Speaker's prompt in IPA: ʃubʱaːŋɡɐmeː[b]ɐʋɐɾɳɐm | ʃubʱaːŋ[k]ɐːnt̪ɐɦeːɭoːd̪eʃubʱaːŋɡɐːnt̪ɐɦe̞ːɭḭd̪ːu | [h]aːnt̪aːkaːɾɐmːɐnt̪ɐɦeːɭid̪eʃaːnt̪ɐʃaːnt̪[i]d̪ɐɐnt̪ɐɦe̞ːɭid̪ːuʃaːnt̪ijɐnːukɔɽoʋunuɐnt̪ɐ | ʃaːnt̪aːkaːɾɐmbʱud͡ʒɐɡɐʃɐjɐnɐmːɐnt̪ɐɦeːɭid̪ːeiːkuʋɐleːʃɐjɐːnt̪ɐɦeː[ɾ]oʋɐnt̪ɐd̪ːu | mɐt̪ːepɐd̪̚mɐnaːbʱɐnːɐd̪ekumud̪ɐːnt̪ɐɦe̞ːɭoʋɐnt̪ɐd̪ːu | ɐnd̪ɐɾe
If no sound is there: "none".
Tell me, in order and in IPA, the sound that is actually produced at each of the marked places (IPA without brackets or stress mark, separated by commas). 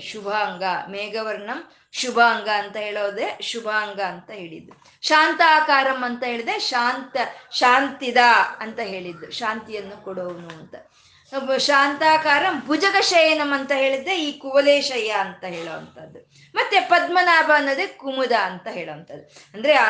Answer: ɡ, ɡ, ʃ, i, ɭ